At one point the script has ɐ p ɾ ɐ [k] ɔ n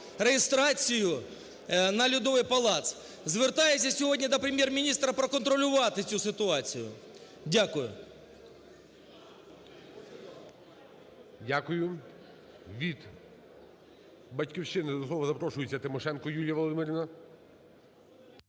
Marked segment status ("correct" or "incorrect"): correct